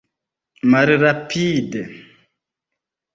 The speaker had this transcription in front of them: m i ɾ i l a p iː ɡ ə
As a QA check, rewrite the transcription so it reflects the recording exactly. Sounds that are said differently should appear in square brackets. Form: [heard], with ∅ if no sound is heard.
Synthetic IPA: m [a] ɾ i [ɾ] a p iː [d] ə